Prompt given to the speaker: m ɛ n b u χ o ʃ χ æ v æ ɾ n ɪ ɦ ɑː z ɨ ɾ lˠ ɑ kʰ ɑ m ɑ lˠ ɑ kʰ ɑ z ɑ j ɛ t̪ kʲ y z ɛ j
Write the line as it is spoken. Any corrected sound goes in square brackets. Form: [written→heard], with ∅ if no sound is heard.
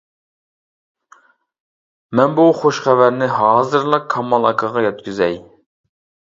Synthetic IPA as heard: m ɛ n b u χ o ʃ χ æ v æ ɾ n ɪ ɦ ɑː z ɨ ɾ lˠ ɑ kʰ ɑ m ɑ lˠ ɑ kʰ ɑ [z→ʁ] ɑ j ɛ t̪ kʲ y z ɛ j

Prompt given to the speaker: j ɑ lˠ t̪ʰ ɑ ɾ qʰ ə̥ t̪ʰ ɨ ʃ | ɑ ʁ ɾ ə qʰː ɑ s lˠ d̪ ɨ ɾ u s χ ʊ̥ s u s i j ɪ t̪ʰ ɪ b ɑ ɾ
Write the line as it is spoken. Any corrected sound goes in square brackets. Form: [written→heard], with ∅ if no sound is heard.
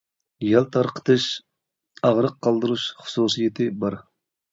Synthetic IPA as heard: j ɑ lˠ t̪ʰ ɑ ɾ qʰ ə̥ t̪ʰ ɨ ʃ | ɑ ʁ ɾ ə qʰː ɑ [s→∅] lˠ d̪ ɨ ɾ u [s→ʃ] χ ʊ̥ s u s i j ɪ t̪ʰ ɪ b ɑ ɾ

